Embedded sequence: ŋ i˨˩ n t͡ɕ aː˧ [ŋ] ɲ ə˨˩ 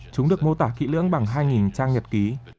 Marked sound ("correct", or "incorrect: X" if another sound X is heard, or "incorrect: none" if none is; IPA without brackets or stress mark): correct